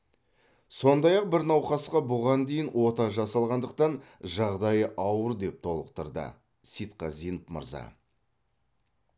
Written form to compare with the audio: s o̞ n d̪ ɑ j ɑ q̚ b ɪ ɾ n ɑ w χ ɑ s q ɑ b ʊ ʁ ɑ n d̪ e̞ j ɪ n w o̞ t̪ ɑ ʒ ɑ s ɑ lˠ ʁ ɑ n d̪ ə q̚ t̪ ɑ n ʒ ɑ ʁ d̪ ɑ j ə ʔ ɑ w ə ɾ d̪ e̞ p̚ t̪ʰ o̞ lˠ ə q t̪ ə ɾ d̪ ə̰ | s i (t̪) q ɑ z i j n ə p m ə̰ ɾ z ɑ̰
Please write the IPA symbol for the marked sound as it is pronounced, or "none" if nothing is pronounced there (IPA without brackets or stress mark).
t̪